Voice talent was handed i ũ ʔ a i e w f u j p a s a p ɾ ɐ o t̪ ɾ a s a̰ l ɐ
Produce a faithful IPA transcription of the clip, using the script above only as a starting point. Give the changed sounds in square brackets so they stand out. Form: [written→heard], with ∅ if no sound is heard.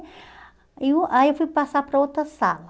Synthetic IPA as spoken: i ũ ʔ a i e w f u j p a s a p ɾ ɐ o t̪ ɾ [a→ɐ] s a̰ l ɐ